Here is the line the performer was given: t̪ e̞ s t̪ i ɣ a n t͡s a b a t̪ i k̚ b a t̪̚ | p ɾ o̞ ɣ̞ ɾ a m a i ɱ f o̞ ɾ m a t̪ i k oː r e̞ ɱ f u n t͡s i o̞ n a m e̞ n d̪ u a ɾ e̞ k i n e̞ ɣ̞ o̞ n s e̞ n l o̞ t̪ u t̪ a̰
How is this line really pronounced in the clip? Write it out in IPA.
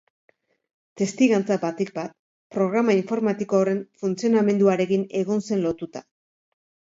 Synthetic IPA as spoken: t̪ e̞ s t̪ i ɣ a n t͡s a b a t̪ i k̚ b a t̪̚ | p ɾ o̞ ɣ̞ ɾ a m a i ɱ f o̞ ɾ m a t̪ i k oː r e̞ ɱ f u n t͡s i o̞ n a m e̞ n d̪ u a ɾ e̞ k i n e̞ ɣ̞ o̞ n s e̞ n l o̞ t̪ u t̪ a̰